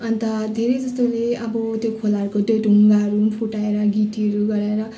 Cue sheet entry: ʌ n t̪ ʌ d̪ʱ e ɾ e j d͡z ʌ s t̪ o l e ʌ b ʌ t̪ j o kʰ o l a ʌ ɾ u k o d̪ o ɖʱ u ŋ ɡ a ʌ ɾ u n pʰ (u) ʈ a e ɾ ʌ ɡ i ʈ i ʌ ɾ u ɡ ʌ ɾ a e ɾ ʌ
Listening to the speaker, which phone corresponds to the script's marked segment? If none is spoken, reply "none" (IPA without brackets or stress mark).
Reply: u